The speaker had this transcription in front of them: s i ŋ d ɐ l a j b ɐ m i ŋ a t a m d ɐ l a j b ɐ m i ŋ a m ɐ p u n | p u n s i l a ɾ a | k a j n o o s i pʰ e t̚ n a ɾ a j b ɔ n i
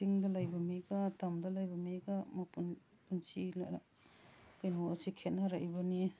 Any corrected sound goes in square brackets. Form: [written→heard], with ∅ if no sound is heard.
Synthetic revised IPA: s i ŋ d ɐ l a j b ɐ m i [ŋ→ɡ] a t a m d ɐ l a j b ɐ m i [ŋ→ɡ] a m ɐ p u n | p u n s i l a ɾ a | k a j n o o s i [pʰ→kʰ] e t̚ n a ɾ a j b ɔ n i